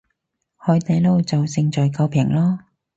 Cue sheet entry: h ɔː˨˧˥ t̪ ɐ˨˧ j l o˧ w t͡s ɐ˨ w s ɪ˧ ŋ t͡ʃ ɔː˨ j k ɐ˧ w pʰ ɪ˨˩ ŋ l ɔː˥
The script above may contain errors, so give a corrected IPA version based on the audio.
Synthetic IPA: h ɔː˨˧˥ t̪ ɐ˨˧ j l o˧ w t͡s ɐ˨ w s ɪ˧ ŋ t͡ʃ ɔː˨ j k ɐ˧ w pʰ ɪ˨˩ ŋ l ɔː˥